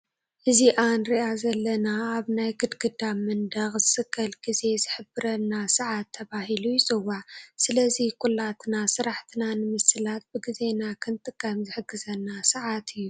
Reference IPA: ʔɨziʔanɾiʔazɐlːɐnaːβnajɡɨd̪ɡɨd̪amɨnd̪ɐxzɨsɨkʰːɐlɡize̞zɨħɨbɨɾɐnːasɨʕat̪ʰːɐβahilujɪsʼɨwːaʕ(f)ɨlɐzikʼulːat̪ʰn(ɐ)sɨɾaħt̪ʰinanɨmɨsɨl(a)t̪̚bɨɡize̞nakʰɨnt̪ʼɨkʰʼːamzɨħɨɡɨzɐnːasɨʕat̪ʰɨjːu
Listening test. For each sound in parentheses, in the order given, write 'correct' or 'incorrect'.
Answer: incorrect, incorrect, correct

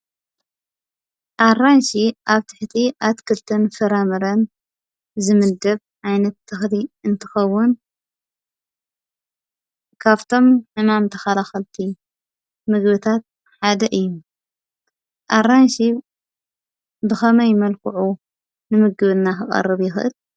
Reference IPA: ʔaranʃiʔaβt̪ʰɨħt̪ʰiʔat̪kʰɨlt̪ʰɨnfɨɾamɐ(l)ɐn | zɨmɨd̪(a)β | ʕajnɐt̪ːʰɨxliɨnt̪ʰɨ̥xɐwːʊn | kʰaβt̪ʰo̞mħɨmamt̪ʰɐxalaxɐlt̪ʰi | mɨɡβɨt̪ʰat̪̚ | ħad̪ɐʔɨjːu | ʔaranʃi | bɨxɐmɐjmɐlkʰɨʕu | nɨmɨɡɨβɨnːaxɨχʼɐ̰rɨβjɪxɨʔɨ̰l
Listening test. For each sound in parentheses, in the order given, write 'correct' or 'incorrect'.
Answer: incorrect, incorrect

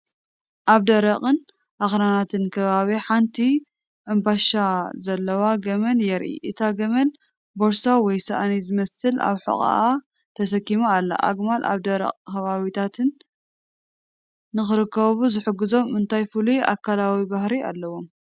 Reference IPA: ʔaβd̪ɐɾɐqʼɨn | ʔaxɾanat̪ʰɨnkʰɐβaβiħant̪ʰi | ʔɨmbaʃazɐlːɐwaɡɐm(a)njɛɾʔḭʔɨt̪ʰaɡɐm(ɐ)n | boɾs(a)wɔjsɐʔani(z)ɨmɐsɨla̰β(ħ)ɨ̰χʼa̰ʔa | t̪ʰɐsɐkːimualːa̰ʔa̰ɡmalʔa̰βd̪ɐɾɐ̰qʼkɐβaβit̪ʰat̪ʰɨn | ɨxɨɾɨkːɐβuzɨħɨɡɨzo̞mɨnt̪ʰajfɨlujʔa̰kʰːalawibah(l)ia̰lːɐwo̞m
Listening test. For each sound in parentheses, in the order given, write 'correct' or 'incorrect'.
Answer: incorrect, correct, correct, correct, correct, incorrect

